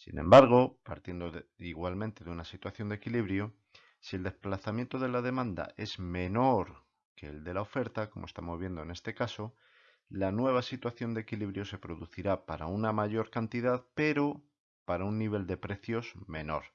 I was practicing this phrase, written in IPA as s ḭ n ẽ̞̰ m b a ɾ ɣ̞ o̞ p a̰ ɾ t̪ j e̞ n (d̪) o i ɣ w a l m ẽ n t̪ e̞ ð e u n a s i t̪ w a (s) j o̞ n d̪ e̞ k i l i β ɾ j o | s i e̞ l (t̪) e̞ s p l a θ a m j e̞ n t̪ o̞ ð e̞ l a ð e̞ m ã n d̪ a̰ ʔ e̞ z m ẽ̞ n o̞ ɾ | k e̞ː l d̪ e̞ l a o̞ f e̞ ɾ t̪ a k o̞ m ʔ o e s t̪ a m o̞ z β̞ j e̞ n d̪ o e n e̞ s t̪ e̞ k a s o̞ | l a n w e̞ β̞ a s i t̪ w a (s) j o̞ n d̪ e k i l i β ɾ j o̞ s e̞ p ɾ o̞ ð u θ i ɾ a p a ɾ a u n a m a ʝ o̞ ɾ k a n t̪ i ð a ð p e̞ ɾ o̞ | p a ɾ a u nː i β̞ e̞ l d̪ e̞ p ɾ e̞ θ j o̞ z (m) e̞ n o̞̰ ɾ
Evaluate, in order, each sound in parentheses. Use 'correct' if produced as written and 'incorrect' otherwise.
correct, incorrect: θ, incorrect: d̪, incorrect: θ, correct

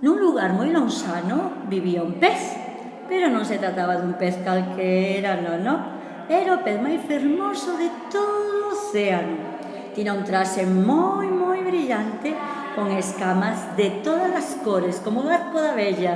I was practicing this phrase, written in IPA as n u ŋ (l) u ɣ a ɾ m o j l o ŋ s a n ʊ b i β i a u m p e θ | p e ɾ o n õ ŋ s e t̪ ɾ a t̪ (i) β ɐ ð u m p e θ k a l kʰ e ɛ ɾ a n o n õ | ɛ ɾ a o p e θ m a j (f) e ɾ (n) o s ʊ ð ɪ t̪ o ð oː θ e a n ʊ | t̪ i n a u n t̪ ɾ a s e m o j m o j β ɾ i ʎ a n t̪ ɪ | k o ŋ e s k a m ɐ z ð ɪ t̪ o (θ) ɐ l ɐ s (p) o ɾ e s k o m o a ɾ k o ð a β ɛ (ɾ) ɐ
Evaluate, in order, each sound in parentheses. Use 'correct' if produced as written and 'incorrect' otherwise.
correct, incorrect: a, correct, incorrect: m, incorrect: ð, incorrect: k, incorrect: ʎ

